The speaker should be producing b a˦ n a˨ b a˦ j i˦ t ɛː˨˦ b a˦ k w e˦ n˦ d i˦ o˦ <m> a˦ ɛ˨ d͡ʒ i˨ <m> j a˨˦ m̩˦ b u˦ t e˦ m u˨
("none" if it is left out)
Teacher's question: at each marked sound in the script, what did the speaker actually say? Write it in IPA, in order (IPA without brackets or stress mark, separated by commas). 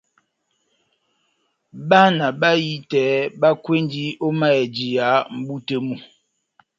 m, none